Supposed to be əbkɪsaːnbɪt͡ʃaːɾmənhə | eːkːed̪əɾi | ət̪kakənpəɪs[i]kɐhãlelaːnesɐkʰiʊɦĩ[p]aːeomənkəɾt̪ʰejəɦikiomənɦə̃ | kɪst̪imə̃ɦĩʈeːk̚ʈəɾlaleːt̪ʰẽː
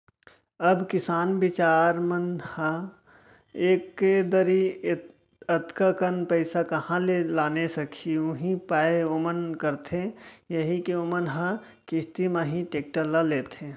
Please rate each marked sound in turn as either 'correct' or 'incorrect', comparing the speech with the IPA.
incorrect: a, correct

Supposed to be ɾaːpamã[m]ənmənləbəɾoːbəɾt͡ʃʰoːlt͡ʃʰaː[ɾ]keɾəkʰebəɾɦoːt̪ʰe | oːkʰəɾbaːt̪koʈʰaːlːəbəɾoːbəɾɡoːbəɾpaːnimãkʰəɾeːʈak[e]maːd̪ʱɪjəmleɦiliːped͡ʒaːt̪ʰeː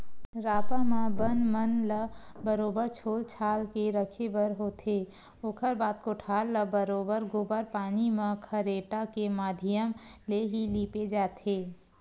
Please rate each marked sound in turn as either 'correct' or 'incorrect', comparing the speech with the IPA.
incorrect: b, incorrect: l, correct

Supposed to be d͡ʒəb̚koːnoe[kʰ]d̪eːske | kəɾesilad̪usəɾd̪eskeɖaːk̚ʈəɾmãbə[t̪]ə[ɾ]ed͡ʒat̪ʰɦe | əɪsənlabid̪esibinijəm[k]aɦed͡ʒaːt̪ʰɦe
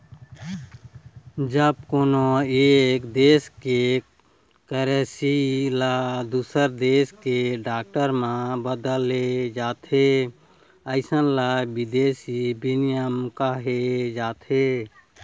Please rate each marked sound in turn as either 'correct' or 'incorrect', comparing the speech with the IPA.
incorrect: k, incorrect: d̪, incorrect: l, correct

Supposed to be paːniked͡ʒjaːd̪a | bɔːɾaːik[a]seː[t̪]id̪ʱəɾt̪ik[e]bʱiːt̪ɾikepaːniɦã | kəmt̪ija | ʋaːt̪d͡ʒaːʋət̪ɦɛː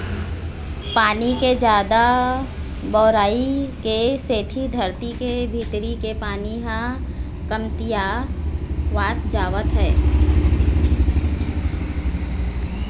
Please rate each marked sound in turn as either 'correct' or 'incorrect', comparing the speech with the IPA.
incorrect: e, incorrect: t̪ʰ, correct

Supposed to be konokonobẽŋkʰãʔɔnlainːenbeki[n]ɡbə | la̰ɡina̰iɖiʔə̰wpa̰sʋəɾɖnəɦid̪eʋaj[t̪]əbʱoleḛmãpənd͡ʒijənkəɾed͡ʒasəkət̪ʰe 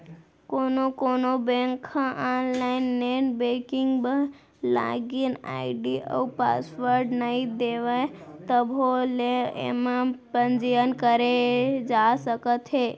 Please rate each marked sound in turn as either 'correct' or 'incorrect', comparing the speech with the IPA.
incorrect: ŋ, correct

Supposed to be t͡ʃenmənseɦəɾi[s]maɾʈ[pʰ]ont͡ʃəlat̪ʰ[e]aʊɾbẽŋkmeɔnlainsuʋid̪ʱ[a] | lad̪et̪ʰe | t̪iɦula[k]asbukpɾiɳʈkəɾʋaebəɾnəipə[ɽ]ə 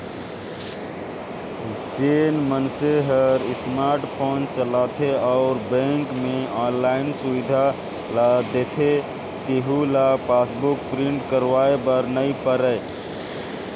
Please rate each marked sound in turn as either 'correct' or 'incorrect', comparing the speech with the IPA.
correct, correct, correct, correct, incorrect: p, incorrect: ɾ

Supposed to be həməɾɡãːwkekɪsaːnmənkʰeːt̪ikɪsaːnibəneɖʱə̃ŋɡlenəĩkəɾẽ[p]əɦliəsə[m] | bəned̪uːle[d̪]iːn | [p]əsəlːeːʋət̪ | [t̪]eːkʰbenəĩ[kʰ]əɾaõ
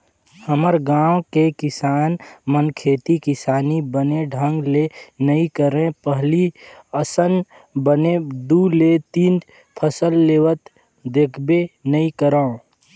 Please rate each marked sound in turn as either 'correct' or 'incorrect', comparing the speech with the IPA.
correct, incorrect: n, incorrect: t̪, incorrect: pʰ, incorrect: d̪, incorrect: k

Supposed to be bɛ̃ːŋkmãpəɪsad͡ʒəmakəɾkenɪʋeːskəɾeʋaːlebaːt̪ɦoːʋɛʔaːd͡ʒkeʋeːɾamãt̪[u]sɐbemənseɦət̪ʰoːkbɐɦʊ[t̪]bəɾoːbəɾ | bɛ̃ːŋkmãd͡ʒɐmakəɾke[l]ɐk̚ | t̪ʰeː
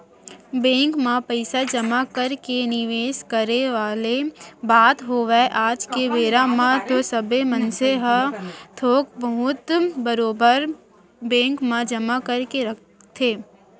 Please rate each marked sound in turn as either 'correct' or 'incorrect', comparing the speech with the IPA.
incorrect: o, correct, incorrect: ɾ

